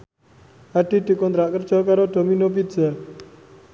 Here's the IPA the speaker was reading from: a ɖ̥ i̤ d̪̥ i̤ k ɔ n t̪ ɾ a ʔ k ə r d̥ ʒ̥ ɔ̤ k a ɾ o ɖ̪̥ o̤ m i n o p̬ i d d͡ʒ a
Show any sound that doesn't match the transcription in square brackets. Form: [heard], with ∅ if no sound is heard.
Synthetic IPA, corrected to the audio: a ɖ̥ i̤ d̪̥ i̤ k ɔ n t̪ ɾ a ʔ k ə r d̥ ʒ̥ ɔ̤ k a ɾ o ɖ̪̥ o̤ m i n o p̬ i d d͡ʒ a